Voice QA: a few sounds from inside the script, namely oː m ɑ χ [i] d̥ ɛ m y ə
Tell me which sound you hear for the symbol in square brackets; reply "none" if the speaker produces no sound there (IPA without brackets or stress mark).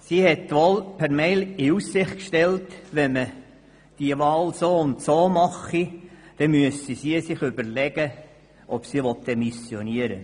i